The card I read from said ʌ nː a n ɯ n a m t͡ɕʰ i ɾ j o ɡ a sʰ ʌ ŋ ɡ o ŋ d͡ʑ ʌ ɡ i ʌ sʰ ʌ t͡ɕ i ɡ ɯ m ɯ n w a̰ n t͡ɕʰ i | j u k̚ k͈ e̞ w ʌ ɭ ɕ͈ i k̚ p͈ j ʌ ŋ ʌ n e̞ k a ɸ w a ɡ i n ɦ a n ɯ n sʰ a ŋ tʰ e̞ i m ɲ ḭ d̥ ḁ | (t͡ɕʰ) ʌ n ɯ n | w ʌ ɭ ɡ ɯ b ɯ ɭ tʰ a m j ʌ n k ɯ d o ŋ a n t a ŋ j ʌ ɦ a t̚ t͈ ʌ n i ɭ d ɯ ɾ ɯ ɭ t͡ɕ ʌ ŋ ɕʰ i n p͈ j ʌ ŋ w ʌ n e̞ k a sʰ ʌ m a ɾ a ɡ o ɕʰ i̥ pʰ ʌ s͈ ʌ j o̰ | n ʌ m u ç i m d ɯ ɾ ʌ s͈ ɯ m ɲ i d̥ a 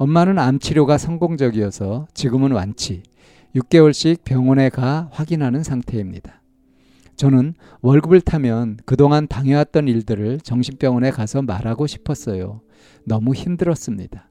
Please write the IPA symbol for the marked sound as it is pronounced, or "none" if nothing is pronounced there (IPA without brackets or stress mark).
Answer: t͡ɕ